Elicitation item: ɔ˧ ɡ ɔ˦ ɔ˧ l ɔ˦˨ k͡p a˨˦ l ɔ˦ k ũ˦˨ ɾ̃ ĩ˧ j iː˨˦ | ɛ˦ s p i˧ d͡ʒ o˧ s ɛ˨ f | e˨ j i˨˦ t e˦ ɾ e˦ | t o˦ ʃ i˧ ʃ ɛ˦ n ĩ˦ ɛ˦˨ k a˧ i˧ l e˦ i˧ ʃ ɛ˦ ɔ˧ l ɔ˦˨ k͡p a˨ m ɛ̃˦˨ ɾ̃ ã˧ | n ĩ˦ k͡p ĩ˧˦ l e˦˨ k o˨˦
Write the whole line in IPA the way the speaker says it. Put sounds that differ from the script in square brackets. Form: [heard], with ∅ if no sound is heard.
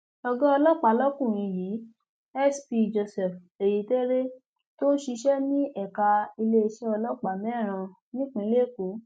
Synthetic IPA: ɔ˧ ɡ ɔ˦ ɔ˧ l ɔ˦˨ k͡p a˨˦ l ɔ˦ k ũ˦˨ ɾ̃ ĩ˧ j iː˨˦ | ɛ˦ s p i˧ d͡ʒ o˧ s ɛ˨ f | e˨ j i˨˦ t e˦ ɾ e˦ | t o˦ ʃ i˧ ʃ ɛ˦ n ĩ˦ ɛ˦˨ k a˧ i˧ l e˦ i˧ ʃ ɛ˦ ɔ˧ l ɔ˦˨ k͡p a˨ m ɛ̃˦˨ ɾ̃ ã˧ | n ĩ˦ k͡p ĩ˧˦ l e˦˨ k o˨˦